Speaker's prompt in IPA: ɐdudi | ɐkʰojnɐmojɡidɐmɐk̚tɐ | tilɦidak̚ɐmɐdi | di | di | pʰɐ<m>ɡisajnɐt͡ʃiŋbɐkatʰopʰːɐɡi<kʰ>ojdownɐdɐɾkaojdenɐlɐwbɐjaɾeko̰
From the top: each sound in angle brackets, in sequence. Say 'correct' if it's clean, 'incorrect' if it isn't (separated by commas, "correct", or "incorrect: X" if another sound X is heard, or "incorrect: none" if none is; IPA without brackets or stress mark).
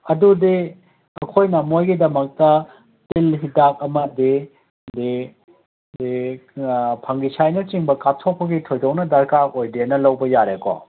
incorrect: ŋ, incorrect: tʰ